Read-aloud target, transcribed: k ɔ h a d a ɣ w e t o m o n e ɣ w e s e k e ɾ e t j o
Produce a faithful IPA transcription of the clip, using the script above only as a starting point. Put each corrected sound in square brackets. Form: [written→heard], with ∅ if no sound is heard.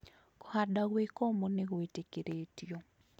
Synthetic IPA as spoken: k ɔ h a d a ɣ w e [t→k] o m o n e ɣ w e [s→t] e k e ɾ e t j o

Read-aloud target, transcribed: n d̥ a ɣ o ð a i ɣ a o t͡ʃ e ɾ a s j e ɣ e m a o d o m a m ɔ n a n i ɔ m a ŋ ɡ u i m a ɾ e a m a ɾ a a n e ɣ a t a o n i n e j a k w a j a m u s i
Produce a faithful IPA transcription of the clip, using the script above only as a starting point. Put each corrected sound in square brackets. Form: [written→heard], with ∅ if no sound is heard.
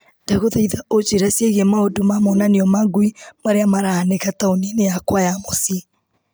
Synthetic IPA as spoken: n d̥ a ɣ o ð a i [ɣ→ð] a o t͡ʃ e ɾ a s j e ɣ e m a o d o m a m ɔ n a n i ɔ m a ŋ ɡ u i m a ɾ e a m a ɾ a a n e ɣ a t a o n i n e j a k w a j a m [u→o] s i

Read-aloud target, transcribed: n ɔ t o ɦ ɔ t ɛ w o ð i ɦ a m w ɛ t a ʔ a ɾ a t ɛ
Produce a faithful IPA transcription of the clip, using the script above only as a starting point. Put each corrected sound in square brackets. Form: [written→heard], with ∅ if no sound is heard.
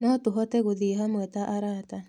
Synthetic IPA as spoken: n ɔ t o ɦ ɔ t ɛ [w→ɣ] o ð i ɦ a m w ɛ t a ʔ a ɾ a t [ɛ→a]

